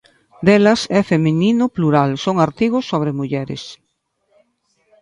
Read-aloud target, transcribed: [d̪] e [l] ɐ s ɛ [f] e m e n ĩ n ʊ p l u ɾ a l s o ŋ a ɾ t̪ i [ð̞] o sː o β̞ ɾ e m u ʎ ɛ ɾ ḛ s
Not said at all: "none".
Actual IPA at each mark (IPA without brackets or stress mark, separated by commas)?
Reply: d̪, l, f, ɣ̞